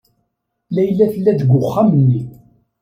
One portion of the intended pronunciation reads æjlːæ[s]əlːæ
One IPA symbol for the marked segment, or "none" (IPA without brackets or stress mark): θ